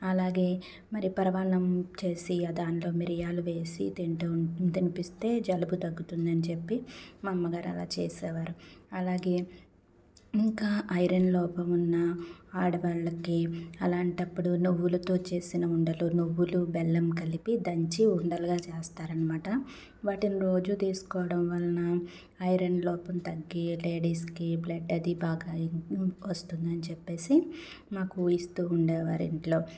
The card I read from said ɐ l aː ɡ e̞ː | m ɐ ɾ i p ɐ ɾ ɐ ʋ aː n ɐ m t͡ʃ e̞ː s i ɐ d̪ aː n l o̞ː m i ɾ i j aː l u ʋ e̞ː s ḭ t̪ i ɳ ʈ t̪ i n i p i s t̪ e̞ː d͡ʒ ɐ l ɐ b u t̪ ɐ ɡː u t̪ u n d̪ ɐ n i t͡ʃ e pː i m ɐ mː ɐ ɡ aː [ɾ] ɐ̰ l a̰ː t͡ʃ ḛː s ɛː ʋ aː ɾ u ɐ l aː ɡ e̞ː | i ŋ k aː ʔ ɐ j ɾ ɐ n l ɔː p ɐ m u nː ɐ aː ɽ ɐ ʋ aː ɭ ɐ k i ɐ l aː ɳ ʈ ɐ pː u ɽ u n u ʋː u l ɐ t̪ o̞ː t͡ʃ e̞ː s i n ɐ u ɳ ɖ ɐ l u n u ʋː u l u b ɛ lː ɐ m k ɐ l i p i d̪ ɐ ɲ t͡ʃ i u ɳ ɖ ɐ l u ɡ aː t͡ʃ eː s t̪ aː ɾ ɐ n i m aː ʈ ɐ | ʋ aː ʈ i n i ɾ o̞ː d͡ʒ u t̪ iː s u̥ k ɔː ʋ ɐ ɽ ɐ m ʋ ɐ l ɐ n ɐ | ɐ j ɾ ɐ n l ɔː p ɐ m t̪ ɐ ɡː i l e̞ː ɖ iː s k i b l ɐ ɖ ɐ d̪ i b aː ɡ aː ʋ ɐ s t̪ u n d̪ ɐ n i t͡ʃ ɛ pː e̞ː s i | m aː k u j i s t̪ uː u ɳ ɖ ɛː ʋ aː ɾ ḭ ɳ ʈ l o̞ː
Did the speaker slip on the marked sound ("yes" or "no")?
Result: no